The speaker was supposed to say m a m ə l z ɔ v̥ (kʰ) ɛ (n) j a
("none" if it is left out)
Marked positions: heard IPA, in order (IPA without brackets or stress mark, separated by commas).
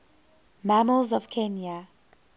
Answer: kʰ, n